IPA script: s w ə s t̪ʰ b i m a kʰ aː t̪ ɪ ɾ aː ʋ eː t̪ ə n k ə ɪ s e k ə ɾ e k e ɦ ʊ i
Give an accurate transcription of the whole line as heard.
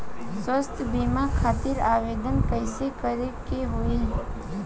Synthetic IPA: s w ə s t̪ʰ b i m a kʰ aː t̪ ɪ ɾ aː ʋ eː d̪ ə n k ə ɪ s e k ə ɾ e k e ɦ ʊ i

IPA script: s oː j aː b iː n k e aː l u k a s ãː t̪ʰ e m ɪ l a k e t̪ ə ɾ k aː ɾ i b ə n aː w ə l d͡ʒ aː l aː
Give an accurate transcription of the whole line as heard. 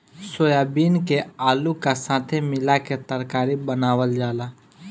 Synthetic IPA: s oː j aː b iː n k e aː l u k a s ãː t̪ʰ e m ɪ l a k e t̪ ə ɾ k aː ɾ i b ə n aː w ə l d͡ʒ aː l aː

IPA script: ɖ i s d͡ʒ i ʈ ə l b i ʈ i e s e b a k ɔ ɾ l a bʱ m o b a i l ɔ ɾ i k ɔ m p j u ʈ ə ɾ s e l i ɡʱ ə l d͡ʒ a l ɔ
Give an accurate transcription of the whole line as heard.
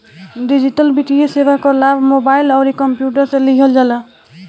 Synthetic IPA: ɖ i d͡ʒ i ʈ ə l b i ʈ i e s e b a k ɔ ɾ l a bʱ m o b a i l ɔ ɾ i k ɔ m p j u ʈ ə ɾ s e l i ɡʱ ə l d͡ʒ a l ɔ

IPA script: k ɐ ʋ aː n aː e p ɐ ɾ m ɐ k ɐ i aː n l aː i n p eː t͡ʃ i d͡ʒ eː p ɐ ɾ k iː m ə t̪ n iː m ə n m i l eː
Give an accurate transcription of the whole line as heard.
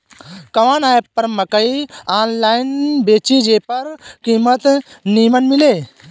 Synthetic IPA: k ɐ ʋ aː n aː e p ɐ ɾ m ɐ k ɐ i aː n l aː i n b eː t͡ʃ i d͡ʒ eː p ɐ ɾ k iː m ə t̪ n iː m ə n m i l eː

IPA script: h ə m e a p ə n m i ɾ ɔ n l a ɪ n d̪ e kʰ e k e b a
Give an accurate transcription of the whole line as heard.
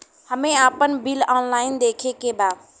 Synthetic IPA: h ə m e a p ə n b i l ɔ n l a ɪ n d̪ e kʰ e k e b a

